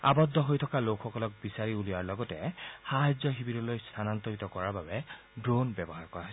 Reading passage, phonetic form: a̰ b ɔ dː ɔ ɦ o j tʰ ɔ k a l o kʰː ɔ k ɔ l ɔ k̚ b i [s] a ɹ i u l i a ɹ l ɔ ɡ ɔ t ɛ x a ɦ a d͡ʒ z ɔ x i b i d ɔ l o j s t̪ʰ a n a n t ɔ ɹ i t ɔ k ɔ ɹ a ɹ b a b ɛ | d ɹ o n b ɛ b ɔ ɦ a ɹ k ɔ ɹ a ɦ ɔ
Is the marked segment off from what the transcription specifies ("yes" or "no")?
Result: no